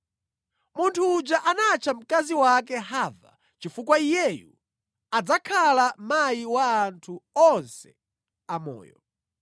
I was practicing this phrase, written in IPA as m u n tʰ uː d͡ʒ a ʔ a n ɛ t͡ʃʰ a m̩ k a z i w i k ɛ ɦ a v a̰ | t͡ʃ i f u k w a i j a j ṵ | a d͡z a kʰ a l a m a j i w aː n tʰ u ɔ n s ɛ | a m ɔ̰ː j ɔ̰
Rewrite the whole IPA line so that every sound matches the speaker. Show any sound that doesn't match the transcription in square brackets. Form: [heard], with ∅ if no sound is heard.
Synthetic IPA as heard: m u n tʰ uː d͡ʒ a ʔ a n [a] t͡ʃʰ a m̩ k a z i w [a] k ɛ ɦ a v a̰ | t͡ʃ i f u k w a i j [ɛ] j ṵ | a d͡z a kʰ a l a m a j i w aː n tʰ u ɔ n s ɛ | a m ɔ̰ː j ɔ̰